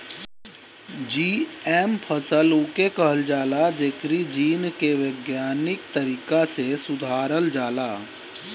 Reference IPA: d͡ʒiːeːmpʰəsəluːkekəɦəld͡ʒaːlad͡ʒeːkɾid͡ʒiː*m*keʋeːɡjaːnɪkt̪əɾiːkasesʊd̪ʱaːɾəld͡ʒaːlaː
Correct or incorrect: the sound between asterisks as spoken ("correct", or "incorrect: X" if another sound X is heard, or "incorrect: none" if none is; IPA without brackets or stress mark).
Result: incorrect: n